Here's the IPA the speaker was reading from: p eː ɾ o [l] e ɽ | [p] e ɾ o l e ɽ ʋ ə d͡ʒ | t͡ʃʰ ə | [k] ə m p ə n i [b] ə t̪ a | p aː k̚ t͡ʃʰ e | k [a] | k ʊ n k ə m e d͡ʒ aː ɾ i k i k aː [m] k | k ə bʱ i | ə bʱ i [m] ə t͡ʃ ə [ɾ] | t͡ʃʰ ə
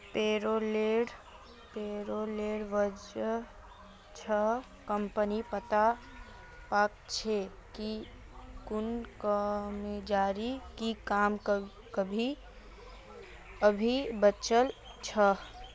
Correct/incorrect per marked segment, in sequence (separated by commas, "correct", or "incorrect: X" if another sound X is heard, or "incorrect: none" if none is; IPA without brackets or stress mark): correct, correct, correct, incorrect: p, incorrect: i, correct, incorrect: b, incorrect: l